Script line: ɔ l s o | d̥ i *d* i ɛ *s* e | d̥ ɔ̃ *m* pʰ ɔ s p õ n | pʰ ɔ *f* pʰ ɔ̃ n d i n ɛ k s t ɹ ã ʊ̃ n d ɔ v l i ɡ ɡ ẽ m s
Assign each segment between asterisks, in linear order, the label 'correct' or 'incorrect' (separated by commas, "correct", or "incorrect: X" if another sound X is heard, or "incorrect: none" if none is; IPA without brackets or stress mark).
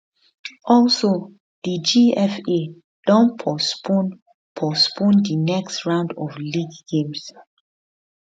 incorrect: d͡ʒ, incorrect: f, incorrect: n, incorrect: s